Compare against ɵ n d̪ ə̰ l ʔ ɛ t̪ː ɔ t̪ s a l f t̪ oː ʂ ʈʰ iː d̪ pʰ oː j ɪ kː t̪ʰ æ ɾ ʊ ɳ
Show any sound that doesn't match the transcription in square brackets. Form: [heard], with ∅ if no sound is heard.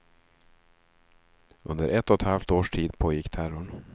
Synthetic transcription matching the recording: ɵ n d̪ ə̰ [ɾ] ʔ ɛ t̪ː ɔ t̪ [h] a l f t̪ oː ʂ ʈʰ iː d̪ pʰ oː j ɪ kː t̪ʰ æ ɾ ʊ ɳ